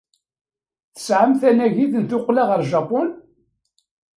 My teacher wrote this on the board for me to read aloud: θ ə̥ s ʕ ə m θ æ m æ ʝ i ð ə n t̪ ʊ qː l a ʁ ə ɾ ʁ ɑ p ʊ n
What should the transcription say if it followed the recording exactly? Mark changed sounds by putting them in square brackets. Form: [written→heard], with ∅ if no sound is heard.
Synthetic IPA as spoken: θ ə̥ s ʕ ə m θ æ [m→n] æ ʝ i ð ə n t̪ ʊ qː l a ʁ ə ɾ [ʁ→ʒ] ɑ p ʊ n

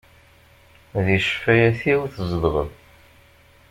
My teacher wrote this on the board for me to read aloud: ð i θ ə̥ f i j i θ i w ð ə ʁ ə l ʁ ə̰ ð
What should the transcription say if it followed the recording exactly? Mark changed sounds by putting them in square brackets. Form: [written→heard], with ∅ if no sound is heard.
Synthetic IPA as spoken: ð i [θ→ʃ] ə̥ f [i→æ] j [i→æ] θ i w [ð→θ] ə [ʁ→z] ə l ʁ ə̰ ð

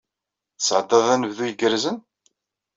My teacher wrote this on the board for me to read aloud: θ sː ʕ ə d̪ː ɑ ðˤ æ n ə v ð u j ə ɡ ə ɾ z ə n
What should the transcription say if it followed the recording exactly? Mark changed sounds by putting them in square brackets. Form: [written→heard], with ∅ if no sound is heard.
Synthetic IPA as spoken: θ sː ʕ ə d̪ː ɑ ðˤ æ n ə v ð u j ə ɡ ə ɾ z ə n

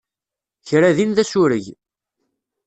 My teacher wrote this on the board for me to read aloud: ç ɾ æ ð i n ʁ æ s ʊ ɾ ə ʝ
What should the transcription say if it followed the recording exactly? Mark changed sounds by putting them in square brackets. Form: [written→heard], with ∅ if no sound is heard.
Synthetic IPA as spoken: ç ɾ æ ð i n [ʁ→ð] æ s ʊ ɾ ə ʝ

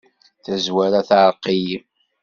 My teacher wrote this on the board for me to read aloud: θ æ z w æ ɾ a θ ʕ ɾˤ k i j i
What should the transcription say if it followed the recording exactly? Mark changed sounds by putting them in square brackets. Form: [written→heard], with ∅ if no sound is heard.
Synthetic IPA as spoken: θ æ z w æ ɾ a θ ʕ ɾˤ [k→q] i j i

